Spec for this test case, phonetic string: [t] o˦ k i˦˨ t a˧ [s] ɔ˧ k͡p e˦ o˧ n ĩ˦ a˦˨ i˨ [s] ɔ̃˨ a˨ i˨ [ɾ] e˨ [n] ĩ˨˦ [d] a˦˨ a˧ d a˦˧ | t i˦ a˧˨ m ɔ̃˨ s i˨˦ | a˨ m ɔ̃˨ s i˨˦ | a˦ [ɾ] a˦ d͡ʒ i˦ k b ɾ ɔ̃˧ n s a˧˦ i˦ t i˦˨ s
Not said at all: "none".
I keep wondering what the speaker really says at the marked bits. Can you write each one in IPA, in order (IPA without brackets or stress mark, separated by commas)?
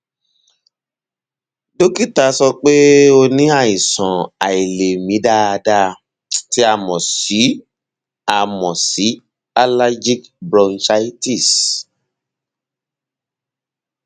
d, s, s, l, m, d, l